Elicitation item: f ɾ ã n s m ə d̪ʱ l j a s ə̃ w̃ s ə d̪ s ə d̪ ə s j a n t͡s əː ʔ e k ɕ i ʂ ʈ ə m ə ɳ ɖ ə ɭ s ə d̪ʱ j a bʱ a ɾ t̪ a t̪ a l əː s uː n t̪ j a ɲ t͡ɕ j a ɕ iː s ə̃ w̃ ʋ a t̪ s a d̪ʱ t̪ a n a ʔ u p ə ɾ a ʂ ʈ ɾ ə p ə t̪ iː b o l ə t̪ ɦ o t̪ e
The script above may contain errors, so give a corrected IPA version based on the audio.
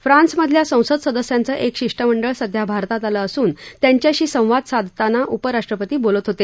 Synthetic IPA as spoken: f ɾ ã n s m ə d̪ʱ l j a s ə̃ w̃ s ə d̪ s ə d̪ ə s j a n t͡s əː ʔ e k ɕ i ʂ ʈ ə m ə ɳ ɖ ə ɭ s ə d̪ʱ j a bʱ a ɾ t̪ a t̪ a l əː s uː n t̪ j a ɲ t͡ɕ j a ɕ iː s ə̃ w̃ ʋ a d̪ s a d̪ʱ t̪ a n a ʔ u p ə ɾ a ʂ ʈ ɾ ə p ə t̪ iː b o l ə t̪ ɦ o t̪ e